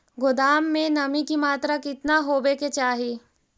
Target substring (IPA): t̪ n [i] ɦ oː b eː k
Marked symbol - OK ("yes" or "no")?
no